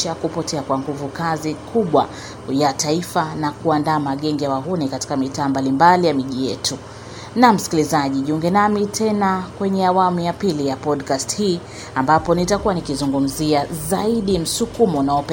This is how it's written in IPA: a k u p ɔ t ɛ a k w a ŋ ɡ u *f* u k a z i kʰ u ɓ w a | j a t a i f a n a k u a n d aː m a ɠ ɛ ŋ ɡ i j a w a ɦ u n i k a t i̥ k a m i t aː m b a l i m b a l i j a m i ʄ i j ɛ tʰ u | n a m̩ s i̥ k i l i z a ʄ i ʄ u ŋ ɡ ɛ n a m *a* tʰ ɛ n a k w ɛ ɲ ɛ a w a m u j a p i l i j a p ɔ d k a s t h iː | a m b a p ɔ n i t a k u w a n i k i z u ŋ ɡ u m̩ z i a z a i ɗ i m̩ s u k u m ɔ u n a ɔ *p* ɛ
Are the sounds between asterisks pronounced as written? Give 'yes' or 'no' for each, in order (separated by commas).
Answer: no, no, yes